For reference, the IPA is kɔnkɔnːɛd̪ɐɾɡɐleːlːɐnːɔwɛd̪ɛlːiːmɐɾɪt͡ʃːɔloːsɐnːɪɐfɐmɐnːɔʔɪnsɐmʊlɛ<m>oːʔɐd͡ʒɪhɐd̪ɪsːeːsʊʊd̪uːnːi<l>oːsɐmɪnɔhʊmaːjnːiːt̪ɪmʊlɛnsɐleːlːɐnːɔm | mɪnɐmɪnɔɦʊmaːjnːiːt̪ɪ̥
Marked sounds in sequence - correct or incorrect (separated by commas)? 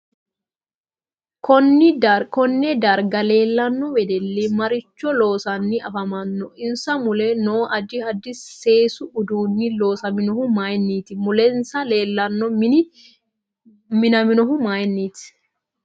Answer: incorrect, correct